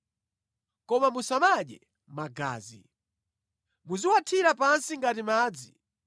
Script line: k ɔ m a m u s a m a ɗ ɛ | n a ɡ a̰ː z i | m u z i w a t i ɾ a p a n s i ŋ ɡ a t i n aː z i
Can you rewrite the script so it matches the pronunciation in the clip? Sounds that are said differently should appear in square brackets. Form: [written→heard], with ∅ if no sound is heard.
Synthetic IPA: k ɔ m a m u s a m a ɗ ɛ | [n→m] a ɡ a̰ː z i | m u z i w a [t→tʰ] i ɾ a p a n s i ŋ ɡ a t i [n→m] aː [z→d͡z] i